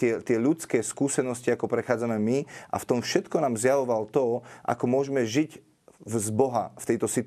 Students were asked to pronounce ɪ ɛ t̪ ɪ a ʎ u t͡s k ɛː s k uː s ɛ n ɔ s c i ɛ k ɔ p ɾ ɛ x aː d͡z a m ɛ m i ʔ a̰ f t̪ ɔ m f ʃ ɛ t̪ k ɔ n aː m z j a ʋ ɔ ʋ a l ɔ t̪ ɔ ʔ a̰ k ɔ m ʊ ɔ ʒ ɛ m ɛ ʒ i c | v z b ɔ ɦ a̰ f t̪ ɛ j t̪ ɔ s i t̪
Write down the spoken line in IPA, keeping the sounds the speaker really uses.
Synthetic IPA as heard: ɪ ɛ t̪ ɪ ɛ ʎ u t͡s k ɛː s k uː s ɛ n ɔ s c i a k ɔ p ɾ ɛ x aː d͡z a m ɛ m i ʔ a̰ f t̪ ɔ m f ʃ ɛ t̪ k ɔ n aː m z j a ʋ ɔ ʋ a l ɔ t̪ ɔ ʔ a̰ k ɔ m ʊ ɔ ʒ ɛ m ɛ ʒ i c | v z b ɔ ɦ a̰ f t̪ ɛ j t̪ ɔ s i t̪